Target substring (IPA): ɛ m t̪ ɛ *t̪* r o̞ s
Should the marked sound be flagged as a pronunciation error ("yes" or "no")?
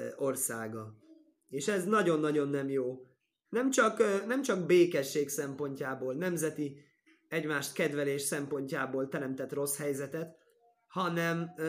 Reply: no